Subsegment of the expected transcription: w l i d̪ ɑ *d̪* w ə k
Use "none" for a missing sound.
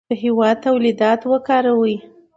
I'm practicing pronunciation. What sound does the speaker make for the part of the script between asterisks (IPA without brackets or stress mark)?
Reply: t̪